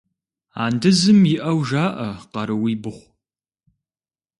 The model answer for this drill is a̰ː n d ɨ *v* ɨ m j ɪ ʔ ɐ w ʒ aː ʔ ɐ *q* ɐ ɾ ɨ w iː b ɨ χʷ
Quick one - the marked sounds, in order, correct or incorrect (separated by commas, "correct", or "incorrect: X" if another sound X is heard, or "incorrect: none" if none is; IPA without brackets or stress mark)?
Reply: incorrect: z, correct